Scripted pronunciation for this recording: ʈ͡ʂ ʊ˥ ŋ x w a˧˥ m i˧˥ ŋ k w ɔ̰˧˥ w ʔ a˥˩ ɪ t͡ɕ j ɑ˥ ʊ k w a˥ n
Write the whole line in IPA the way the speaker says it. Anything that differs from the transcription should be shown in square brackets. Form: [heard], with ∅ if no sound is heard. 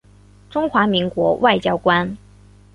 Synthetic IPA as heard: ʈ͡ʂ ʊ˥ ŋ x w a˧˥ m i˧˥ ŋ k w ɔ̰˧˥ w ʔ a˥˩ ɪ t͡ɕ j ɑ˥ ʊ k w a˥ n